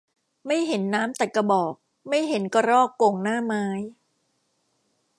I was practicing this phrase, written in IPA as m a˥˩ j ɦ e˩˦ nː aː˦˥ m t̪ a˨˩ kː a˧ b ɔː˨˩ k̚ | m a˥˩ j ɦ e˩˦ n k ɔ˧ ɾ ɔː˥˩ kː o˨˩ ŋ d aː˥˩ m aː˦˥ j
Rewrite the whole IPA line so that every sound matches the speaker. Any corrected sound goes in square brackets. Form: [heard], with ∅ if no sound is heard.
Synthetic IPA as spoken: m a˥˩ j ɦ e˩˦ nː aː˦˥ m t̪ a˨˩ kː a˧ b ɔː˨˩ k̚ | m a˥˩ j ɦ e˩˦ n k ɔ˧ ɾ ɔː˥˩ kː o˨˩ ŋ [n] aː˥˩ m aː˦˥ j